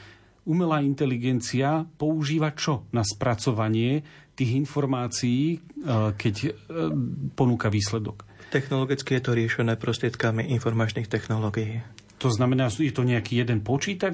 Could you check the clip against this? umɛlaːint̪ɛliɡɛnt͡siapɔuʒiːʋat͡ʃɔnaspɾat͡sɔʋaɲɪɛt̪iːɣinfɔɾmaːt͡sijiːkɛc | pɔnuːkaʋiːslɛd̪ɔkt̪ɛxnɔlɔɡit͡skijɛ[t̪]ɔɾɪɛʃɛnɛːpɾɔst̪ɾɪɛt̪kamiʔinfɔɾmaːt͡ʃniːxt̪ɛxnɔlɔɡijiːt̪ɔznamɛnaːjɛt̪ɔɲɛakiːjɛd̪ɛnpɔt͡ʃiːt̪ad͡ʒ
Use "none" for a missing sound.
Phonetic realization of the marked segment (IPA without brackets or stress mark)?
t̪